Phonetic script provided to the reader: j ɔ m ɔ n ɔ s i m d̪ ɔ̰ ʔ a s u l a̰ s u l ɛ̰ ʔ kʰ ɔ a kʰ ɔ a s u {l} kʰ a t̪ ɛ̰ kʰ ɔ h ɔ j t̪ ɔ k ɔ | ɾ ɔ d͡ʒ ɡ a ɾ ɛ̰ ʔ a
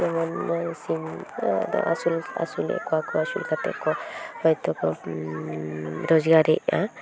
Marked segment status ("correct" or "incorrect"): correct